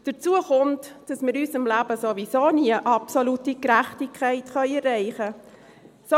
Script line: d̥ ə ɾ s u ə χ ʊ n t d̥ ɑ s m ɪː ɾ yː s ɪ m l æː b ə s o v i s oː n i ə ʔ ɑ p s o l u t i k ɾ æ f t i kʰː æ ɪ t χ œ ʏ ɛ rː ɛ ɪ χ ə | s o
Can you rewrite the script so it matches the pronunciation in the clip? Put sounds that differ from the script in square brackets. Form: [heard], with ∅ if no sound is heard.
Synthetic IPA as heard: d̥ ə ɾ [t͡s] u ə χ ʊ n t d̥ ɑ s m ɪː ɾ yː s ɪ m l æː b ə s o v i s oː n i ə ʔ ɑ p s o l u t i k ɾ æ [χ] t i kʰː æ ɪ t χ œ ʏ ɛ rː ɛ ɪ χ ə | s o